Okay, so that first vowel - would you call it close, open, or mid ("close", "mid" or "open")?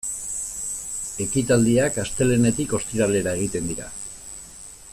mid